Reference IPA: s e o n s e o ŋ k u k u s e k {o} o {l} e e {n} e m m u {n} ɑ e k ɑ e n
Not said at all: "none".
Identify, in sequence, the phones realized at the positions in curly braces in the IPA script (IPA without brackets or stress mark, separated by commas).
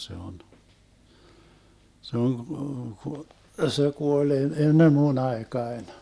u, l, nː, n